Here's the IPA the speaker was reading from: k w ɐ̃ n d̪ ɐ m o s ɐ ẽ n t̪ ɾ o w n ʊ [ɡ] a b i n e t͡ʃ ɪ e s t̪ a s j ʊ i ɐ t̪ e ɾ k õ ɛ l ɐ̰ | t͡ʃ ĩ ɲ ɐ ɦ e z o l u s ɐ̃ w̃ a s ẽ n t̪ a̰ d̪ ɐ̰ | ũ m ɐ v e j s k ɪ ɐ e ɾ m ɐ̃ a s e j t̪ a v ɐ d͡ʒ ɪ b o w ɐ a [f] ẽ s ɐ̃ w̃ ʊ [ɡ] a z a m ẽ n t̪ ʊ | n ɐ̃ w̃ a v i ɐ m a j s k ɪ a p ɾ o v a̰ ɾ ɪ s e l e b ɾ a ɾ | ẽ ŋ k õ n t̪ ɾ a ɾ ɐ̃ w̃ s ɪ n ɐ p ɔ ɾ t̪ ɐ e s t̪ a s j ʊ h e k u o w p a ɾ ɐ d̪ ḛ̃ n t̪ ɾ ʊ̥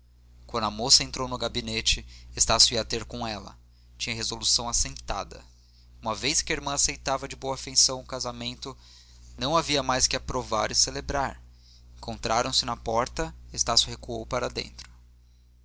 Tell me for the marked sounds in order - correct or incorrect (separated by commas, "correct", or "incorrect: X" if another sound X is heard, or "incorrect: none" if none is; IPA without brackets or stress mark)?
correct, correct, incorrect: k